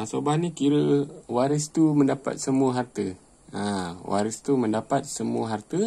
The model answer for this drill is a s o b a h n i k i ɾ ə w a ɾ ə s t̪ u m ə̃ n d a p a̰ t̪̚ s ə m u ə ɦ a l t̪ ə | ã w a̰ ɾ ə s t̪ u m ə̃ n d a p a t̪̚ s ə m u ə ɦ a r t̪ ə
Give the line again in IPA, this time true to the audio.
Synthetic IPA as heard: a s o b a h n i k i ɾ ə w a ɾ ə s t̪ u m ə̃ n d a p a̰ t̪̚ s ə m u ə ɦ a r t̪ ə | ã w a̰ ɾ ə s t̪ u m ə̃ n d a p a t̪̚ s ə m u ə ɦ a r t̪ ə